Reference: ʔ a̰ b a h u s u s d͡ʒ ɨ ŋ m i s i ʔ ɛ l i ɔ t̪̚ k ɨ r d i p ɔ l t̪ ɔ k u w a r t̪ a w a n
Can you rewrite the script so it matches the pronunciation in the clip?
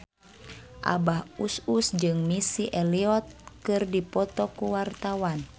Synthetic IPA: ʔ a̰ b a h u s u s d͡ʒ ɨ ŋ m i s i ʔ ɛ l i ɔ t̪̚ k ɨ r d i p ɔ t̪ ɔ k u w a r t̪ a w a n